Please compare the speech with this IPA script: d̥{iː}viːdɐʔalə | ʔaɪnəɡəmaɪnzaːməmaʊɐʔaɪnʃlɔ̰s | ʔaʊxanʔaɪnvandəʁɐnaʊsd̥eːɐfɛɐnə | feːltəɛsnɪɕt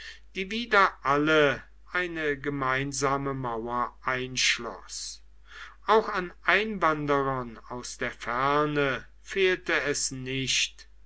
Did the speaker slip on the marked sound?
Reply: no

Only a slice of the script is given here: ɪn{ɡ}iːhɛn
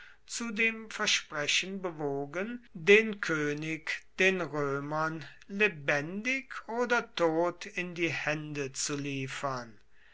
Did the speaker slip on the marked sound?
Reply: yes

